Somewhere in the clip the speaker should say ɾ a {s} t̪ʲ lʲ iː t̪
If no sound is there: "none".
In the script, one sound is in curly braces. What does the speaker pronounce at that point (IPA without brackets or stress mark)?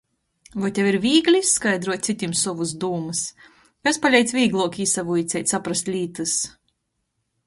s